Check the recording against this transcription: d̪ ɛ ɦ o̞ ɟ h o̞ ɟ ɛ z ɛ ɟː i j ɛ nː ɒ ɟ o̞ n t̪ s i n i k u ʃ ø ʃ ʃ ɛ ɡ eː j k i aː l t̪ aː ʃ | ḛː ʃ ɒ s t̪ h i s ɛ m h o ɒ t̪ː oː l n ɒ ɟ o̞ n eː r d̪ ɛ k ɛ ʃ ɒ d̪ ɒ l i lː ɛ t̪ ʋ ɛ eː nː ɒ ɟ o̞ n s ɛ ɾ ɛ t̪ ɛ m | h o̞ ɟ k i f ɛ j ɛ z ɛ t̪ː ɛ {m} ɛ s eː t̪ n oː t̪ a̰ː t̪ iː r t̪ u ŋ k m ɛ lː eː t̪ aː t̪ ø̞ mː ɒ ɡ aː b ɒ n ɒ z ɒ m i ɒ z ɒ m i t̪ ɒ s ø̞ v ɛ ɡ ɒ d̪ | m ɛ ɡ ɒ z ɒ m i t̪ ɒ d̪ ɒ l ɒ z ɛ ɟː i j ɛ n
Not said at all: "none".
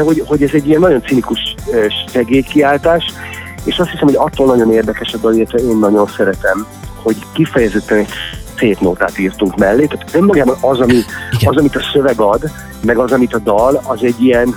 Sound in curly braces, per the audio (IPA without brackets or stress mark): n